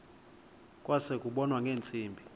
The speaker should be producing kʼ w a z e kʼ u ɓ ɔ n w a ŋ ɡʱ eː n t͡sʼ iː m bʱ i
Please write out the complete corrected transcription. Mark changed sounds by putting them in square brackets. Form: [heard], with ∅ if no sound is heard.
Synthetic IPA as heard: kʼ w a [s] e kʼ u ɓ ɔ n w a ŋ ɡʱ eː n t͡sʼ iː m bʱ i